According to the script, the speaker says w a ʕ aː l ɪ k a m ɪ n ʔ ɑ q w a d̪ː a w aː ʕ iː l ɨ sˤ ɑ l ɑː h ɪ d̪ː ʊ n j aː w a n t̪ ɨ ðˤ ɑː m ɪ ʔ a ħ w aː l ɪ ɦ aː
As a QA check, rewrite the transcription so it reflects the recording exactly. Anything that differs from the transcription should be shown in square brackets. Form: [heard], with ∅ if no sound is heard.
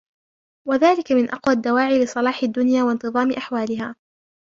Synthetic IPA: w a [ð] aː l ɪ k a m ɪ n ʔ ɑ q w a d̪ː a w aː ʕ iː l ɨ sˤ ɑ l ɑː [ħ] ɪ d̪ː ʊ n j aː w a n t̪ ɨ ðˤ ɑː m ɪ ʔ a ħ w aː l ɪ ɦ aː